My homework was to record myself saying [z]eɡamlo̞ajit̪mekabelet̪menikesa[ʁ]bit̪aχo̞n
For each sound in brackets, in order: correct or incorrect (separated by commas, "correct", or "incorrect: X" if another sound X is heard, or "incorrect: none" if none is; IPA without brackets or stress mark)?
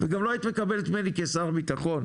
incorrect: v, correct